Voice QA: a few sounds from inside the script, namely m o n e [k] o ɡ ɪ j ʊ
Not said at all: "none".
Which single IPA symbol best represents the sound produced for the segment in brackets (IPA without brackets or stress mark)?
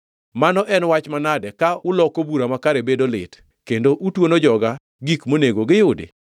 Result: ɡ